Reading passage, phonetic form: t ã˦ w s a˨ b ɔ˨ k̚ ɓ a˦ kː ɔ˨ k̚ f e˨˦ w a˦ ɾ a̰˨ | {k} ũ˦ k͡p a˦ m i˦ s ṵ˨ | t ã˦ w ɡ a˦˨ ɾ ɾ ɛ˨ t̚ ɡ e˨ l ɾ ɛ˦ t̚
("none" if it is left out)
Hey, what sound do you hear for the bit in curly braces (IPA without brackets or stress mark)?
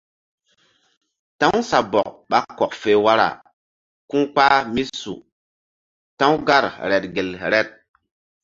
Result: k